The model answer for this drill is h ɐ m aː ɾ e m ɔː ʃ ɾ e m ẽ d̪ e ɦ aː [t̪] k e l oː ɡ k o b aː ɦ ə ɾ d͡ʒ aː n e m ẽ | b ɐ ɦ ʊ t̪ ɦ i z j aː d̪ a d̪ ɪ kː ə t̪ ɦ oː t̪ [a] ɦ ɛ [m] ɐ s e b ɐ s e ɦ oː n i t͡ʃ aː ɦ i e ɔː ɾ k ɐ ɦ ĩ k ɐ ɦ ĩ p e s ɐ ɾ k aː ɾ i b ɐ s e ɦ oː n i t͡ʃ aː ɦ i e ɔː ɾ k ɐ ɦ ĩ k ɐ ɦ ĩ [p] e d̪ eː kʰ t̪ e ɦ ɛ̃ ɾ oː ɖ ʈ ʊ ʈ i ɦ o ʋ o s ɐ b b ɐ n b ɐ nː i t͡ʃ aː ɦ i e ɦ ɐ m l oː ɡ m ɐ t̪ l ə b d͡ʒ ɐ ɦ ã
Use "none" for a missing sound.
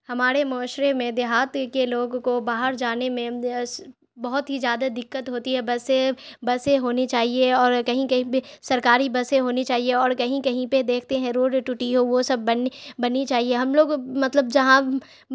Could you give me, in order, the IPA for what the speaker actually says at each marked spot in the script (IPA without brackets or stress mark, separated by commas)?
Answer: t̪, i, b, p